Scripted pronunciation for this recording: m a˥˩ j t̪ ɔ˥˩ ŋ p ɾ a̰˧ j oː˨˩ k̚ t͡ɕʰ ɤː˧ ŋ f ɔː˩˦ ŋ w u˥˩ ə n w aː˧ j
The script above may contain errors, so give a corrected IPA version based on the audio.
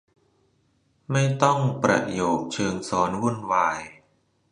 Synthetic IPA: m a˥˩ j t̪ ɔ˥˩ ŋ p ɾ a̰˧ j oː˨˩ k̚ t͡ɕʰ ɤː˧ ŋ s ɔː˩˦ n w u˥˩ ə n w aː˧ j